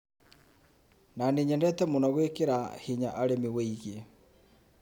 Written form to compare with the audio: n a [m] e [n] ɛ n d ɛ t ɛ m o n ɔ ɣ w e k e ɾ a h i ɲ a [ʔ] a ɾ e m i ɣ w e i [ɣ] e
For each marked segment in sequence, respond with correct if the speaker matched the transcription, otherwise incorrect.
incorrect, incorrect, correct, correct

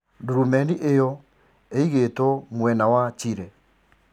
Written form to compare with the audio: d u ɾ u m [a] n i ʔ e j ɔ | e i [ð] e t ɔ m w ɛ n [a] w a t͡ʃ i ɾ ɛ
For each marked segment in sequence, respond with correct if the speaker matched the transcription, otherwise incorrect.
incorrect, incorrect, correct

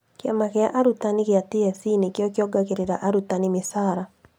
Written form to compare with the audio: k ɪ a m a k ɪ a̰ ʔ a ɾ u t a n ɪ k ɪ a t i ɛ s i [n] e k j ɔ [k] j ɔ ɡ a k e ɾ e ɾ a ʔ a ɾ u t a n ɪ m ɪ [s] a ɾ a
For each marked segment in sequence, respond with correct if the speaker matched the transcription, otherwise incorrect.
correct, correct, correct

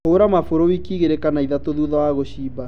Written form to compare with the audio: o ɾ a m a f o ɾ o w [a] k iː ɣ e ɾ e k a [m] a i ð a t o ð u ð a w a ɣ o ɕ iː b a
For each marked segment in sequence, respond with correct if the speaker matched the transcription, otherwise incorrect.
incorrect, incorrect

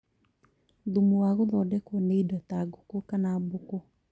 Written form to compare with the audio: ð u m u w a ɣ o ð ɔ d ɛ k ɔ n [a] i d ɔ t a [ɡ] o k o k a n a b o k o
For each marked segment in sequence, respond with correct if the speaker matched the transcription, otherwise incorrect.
incorrect, correct

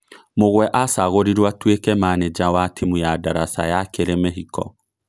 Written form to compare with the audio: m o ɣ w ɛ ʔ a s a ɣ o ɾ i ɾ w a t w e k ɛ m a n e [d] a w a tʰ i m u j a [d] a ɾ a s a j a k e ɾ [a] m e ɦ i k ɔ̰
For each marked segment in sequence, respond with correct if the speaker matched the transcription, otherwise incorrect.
incorrect, correct, incorrect

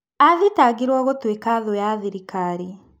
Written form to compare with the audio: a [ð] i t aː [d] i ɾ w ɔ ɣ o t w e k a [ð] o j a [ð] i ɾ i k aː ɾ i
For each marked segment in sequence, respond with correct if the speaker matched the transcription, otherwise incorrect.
correct, incorrect, correct, correct

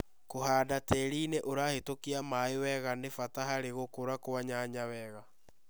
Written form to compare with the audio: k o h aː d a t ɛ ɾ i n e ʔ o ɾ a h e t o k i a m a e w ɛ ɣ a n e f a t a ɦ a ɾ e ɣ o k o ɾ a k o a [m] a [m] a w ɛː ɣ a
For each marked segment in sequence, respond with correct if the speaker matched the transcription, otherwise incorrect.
incorrect, incorrect

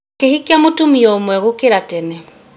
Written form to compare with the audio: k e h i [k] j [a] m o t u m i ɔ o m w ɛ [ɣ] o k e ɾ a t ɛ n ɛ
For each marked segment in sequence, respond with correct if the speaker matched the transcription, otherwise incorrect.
correct, correct, correct

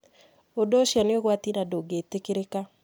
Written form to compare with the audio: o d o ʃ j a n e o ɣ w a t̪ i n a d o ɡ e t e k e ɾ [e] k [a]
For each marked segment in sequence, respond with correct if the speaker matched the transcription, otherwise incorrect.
correct, correct

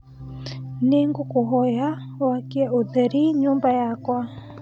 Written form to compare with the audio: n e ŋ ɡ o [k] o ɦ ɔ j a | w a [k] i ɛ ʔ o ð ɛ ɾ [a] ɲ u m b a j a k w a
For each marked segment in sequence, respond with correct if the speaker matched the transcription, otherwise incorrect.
correct, correct, incorrect

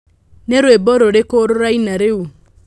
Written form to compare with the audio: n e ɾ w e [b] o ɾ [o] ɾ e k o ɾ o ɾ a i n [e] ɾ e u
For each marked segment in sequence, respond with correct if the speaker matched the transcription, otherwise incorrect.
correct, correct, incorrect

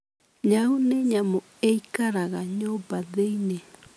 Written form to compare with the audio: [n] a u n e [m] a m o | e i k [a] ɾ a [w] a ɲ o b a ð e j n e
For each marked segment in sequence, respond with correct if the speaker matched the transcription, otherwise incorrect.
incorrect, incorrect, correct, incorrect

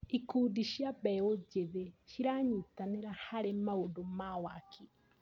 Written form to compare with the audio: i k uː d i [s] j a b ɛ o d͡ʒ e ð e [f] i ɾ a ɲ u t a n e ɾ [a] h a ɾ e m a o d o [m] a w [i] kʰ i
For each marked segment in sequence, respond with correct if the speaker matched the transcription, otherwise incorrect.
incorrect, incorrect, correct, correct, incorrect

